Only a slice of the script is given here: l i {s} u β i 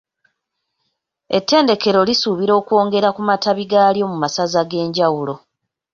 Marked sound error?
no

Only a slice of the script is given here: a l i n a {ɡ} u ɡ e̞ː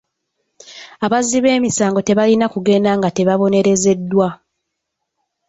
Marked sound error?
yes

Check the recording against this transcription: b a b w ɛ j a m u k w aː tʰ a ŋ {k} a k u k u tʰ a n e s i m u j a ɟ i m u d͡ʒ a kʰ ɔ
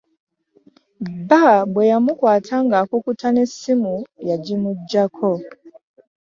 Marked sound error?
yes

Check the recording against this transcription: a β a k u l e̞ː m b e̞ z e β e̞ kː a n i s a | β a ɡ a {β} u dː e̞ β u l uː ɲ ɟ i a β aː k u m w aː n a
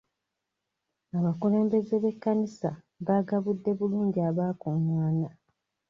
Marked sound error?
no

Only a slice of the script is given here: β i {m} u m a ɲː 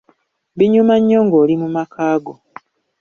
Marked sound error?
yes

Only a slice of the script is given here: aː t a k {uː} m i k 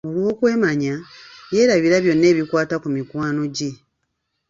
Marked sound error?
yes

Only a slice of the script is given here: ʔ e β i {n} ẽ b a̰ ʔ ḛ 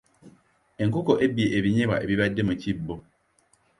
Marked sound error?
yes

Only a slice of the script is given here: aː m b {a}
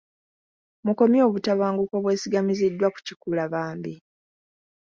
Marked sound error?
yes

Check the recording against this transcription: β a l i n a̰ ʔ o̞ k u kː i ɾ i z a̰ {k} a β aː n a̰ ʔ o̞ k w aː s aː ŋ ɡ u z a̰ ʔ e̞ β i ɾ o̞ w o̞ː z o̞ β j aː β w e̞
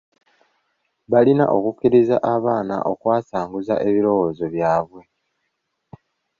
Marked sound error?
yes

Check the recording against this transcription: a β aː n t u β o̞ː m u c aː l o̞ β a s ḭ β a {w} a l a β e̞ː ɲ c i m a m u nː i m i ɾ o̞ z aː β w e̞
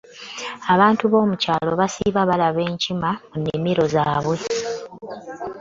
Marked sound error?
yes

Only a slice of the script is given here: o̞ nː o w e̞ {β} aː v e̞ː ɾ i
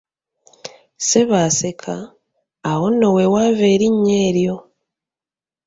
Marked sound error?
yes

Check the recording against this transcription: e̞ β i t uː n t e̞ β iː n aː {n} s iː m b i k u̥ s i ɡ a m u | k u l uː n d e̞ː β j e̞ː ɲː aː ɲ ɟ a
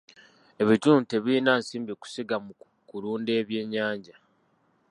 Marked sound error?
no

